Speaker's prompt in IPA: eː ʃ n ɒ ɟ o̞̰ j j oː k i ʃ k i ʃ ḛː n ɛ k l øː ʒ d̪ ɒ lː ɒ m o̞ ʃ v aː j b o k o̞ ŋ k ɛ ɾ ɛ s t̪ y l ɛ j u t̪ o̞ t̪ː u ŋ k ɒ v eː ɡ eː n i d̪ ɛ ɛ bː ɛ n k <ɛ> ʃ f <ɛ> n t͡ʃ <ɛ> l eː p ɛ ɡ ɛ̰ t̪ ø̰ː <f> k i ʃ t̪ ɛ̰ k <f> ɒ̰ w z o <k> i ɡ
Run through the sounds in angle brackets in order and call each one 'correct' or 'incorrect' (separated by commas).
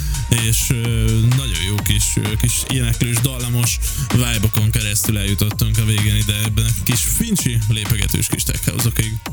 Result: incorrect, incorrect, incorrect, incorrect, incorrect, correct